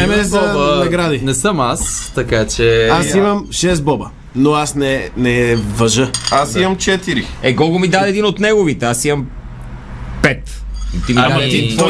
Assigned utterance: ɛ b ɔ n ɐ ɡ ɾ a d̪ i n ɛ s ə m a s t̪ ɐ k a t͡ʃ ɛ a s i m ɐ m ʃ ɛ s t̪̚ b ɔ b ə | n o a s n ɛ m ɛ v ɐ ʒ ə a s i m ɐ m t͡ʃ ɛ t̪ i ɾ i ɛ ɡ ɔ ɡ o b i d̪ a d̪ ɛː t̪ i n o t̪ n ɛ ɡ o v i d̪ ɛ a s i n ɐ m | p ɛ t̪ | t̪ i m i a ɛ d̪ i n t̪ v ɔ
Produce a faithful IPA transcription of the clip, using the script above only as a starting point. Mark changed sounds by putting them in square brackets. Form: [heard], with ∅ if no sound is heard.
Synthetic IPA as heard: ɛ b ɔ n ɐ ɡ ɾ a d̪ i n ɛ s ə m a s t̪ ɐ k a t͡ʃ ɛ a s i m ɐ m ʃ ɛ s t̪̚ b ɔ b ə | n o a s n ɛ [n] ɛ v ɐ ʒ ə a s i m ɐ m t͡ʃ ɛ t̪ i ɾ i ɛ ɡ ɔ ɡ o [m] i d̪ a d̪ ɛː [d̪] i n o t̪ n ɛ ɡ o v i [t̪] ɛ a s i [m] ɐ m | p ɛ t̪ | t̪ i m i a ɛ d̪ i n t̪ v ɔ